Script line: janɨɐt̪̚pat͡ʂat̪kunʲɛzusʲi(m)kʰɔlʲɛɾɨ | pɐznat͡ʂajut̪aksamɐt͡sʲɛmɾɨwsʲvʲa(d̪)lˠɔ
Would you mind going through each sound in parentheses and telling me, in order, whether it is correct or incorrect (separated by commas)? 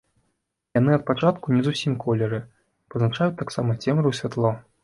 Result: correct, incorrect